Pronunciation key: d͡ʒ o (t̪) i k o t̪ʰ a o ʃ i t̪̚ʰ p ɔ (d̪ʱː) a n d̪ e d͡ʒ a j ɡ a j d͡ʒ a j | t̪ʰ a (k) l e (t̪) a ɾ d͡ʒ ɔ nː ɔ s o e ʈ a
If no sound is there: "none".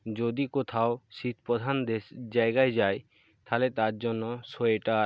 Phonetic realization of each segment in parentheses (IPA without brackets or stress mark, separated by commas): d̪, d̪ʱ, none, t̪